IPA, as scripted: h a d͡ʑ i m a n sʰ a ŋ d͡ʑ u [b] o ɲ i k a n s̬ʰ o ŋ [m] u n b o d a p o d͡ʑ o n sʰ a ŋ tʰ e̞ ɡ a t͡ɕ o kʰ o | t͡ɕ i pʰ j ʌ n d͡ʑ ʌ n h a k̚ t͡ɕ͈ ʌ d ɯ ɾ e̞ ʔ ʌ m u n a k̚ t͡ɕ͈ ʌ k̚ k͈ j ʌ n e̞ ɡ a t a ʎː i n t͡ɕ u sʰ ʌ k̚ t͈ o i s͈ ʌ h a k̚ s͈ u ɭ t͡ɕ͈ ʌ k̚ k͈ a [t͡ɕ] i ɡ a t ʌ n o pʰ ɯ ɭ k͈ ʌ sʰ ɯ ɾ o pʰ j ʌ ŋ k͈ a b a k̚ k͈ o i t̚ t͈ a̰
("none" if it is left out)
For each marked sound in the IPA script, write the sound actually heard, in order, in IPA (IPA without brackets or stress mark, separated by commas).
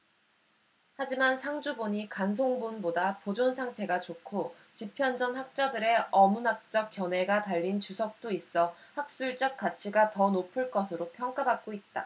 b, b, t͡ɕʰ